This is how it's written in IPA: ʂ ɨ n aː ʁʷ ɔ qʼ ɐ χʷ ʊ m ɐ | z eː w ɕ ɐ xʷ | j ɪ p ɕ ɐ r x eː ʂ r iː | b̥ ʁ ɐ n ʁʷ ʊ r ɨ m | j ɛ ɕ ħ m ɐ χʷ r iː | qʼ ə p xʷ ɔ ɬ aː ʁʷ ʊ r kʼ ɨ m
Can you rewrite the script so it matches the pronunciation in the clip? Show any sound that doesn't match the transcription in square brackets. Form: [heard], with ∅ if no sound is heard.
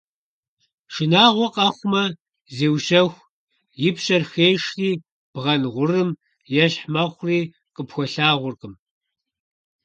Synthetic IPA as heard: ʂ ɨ n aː ʁʷ ɔ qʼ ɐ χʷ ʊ m ɐ | z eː w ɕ ɐ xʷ | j ɪ p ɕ ɐ r x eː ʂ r iː | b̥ ʁ ɐ n ʁʷ ʊ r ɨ m | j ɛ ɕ ħ m ɐ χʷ r iː | qʼ ə p xʷ ɔ ɬ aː ʁʷ ʊ r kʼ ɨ m